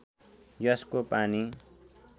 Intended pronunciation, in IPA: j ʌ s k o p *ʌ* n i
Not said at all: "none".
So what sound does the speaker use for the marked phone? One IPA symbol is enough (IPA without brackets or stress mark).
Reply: a